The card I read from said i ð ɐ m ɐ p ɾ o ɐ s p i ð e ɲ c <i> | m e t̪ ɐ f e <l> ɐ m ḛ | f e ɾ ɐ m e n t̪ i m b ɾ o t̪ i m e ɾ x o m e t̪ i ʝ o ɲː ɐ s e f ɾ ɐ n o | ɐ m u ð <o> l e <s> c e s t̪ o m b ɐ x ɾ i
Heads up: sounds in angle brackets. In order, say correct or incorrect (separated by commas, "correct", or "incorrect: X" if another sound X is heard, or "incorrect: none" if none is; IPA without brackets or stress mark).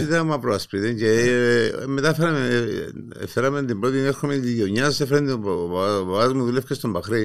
incorrect: e, incorrect: ɾ, incorrect: u, incorrect: f